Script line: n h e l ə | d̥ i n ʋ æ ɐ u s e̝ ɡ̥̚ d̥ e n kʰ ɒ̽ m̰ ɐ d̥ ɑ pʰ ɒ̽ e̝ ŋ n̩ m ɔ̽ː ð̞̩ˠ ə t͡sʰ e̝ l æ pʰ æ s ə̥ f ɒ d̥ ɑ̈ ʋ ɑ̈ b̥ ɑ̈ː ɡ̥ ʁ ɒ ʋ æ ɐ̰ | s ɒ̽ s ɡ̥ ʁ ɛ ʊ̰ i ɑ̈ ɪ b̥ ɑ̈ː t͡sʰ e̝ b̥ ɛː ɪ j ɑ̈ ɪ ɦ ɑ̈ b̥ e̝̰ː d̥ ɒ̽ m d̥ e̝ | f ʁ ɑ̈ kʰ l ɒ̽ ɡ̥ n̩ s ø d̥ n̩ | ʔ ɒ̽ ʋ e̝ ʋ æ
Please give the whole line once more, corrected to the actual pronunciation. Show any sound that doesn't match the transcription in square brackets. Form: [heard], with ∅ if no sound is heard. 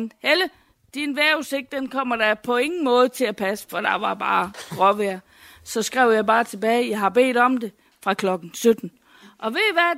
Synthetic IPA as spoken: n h e l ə | d̥ i n ʋ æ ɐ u s e̝ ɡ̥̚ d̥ e n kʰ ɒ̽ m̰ ɐ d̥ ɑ pʰ ɒ̽ e̝ ŋ n̩ m ɔ̽ː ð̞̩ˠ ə t͡sʰ e̝ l æ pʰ æ s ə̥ f ɒ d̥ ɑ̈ ʋ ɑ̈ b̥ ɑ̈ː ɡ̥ ʁ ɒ ʋ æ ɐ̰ | s ɒ̽ s ɡ̥ ʁ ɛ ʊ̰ [j] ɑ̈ ɪ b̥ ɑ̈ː t͡sʰ e̝ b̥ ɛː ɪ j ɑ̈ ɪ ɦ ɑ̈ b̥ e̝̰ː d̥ ɒ̽ m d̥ e̝ | f ʁ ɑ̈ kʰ l ɒ̽ ɡ̥ n̩ s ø d̥ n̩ | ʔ ɒ̽ ʋ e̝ ʋ æ